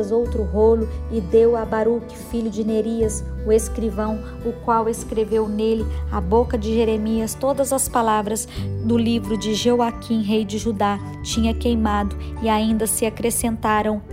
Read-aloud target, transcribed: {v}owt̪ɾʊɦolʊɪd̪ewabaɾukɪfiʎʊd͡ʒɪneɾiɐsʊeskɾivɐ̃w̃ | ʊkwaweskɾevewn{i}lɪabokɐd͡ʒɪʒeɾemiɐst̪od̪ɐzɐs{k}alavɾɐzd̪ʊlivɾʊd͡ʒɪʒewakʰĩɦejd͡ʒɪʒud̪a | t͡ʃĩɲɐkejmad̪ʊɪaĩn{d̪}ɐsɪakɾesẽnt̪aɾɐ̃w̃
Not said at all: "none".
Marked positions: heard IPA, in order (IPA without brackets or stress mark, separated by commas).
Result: z, e, p, d̪